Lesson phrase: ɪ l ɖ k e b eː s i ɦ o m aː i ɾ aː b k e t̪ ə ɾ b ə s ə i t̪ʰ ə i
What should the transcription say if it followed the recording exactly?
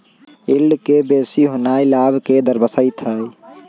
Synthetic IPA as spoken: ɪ l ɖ k e b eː s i ɦ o n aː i l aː b k e d̪ ə ɾ b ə s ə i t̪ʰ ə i